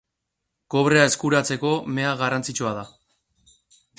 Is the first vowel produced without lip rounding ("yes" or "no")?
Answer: no